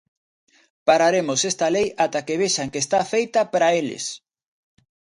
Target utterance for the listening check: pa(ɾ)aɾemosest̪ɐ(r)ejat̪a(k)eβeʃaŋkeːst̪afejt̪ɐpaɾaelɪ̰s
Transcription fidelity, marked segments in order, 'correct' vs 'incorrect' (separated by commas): correct, incorrect, correct